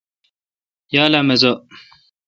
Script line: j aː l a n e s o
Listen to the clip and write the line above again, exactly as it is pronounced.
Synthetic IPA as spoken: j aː l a m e z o